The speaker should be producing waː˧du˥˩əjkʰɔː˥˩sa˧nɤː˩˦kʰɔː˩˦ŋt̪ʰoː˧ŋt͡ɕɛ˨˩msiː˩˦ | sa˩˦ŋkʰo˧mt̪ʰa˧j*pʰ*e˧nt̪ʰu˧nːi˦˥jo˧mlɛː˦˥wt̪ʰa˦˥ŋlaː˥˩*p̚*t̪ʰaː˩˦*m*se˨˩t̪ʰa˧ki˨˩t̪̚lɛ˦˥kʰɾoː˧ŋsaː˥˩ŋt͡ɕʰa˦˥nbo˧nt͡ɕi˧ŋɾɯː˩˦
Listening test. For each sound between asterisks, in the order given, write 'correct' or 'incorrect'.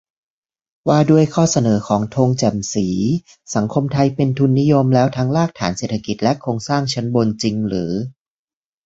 incorrect: p, incorrect: k̚, incorrect: n

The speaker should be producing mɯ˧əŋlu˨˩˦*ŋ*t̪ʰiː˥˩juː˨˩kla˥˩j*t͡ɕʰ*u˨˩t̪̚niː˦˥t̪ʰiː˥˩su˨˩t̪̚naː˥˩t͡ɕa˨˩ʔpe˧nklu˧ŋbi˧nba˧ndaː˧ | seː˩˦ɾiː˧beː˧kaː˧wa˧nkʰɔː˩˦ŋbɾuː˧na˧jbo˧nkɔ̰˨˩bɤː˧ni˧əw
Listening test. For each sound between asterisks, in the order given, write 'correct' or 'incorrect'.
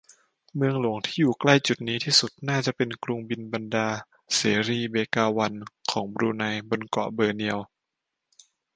correct, incorrect: t͡ɕ

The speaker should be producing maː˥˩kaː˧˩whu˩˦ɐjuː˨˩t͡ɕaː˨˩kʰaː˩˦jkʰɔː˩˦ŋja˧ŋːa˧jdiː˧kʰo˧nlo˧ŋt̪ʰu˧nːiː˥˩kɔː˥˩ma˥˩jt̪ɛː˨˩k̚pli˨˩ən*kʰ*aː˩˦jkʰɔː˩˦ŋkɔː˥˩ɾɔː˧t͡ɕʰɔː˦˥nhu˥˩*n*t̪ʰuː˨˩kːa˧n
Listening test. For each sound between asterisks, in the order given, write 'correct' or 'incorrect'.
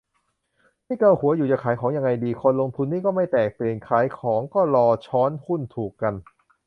correct, correct

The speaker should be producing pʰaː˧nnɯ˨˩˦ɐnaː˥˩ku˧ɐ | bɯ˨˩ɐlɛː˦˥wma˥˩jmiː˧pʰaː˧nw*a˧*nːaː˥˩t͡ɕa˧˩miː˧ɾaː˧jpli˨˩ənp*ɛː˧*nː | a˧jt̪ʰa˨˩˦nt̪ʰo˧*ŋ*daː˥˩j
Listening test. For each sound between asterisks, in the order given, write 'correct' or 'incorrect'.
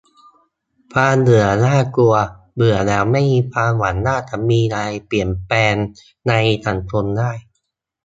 incorrect: a˩˦, correct, incorrect: n

